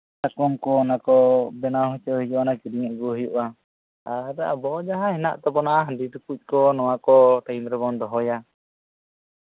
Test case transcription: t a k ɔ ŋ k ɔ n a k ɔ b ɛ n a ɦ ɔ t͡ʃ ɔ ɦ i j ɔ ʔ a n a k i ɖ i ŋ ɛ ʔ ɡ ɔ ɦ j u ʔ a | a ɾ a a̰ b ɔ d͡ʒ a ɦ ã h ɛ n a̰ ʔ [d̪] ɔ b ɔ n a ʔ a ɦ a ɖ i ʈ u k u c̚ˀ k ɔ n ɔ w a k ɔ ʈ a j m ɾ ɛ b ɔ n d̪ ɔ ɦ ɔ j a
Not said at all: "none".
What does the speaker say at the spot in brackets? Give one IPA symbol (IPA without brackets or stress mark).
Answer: t̪